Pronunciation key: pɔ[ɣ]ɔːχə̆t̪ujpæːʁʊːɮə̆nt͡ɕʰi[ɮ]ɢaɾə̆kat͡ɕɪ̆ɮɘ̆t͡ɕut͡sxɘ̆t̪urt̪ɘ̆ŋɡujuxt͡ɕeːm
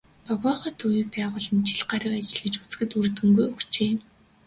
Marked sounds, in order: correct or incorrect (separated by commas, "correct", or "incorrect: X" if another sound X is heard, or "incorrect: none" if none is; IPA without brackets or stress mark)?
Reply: correct, correct